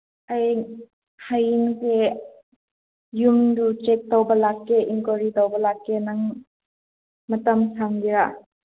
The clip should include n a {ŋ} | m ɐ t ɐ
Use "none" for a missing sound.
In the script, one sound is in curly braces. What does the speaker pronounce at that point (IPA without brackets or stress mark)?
ŋ